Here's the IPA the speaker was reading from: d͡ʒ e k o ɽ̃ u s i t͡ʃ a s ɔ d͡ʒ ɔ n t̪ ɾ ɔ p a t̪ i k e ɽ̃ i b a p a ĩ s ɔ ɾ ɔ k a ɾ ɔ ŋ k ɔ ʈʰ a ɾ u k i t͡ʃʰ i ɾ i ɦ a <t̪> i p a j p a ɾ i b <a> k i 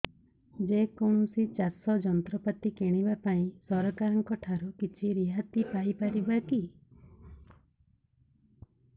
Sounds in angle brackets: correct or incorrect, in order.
correct, correct

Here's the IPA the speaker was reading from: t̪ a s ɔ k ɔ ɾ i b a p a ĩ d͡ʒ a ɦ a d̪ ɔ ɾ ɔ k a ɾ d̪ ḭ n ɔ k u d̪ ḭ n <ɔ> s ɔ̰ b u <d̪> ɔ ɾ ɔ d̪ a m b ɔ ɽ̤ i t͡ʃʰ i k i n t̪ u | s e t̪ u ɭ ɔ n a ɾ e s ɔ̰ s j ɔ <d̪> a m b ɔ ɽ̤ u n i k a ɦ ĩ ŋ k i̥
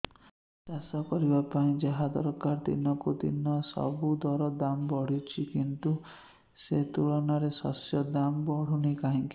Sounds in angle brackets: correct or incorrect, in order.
correct, correct, correct

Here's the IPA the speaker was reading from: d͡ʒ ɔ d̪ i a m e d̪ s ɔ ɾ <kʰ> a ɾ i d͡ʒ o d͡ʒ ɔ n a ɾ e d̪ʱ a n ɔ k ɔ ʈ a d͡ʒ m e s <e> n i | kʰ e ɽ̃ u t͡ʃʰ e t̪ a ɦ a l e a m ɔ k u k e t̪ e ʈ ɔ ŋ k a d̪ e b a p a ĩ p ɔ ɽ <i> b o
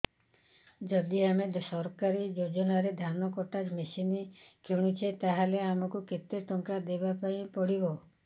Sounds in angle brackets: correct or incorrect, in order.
incorrect, incorrect, correct

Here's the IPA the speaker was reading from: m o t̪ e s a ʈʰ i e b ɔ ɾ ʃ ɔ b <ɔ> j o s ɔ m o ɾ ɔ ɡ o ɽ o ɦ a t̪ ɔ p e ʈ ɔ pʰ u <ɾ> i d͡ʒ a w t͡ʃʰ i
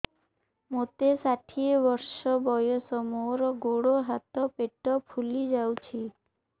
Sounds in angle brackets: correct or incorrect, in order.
correct, incorrect

